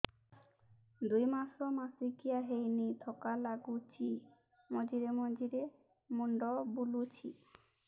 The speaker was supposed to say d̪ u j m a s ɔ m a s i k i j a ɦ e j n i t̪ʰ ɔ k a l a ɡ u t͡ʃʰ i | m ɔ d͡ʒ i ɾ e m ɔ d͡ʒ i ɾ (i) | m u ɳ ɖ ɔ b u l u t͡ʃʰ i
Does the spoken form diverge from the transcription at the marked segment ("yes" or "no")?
yes